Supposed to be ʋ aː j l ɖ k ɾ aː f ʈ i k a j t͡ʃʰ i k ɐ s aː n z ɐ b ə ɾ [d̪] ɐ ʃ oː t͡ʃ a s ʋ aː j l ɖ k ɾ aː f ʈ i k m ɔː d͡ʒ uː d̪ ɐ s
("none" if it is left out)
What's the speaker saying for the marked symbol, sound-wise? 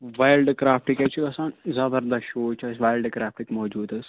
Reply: d̪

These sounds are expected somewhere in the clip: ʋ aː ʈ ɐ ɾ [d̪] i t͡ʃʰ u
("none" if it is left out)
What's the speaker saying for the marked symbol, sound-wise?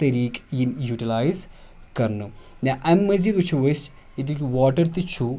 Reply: t̪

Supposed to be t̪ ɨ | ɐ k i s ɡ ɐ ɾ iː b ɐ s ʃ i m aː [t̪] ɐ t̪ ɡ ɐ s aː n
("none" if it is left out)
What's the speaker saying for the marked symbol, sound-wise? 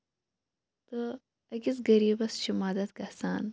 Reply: d̪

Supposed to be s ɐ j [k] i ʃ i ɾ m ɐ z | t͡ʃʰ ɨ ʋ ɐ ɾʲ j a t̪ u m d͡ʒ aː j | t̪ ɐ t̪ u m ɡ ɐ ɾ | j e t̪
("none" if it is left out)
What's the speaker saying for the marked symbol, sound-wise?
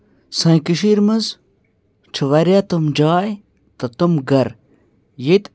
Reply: k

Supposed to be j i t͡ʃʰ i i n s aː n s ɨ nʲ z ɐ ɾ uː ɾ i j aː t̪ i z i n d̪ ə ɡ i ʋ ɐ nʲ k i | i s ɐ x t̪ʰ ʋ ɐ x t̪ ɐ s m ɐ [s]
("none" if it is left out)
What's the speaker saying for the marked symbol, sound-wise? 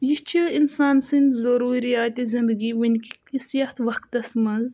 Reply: z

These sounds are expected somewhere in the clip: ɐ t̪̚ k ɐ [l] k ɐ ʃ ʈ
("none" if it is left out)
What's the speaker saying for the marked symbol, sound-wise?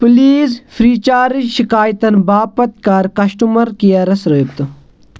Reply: ɾ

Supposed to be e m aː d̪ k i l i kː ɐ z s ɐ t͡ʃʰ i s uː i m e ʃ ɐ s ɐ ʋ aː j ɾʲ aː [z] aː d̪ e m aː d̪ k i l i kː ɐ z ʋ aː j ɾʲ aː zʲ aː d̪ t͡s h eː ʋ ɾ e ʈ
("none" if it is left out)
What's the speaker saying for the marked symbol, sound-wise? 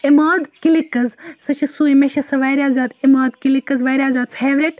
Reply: z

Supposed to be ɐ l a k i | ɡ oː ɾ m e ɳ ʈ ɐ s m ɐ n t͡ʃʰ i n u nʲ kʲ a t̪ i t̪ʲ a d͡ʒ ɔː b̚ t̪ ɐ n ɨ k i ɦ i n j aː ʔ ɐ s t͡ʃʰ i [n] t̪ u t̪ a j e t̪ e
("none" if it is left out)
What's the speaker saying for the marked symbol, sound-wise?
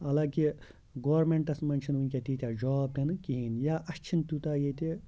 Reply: n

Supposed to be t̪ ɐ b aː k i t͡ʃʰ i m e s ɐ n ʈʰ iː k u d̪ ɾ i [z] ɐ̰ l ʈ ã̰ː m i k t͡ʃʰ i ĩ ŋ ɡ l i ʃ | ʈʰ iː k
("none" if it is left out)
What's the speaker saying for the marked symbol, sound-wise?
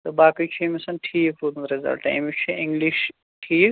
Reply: z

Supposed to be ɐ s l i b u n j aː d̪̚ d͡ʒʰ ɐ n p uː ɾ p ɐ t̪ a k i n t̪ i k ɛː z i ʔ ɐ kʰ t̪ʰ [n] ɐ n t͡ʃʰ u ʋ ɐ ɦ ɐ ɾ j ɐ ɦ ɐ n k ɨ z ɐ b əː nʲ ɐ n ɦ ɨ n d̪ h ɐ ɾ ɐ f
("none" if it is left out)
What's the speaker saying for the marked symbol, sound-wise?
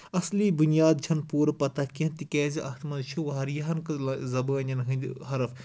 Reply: m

